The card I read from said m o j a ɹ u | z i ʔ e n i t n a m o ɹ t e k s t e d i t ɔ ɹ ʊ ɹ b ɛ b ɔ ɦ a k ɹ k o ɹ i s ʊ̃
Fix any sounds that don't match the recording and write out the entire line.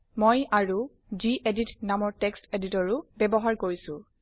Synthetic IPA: m o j a ɹ u | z i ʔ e d i t n a m ɔ ɹ t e k s t e d i t ɔ ɹ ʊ b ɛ b ɔ ɦ a ɹ k o ɹ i s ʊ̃